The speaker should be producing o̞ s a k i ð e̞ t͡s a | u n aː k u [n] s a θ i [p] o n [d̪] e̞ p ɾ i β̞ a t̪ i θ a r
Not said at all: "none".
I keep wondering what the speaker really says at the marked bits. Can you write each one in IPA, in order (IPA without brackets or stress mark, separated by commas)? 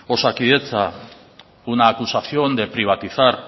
none, none, d̪